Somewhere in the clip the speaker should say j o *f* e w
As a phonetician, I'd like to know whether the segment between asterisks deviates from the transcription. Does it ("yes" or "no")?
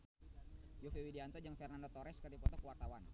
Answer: no